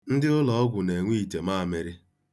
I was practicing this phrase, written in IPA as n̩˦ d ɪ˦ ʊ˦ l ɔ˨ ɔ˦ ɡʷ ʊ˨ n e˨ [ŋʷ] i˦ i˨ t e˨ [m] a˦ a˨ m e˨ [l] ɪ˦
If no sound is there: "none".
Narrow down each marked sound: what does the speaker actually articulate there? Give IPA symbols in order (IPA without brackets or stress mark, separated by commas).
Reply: ŋʷ, m, ɾ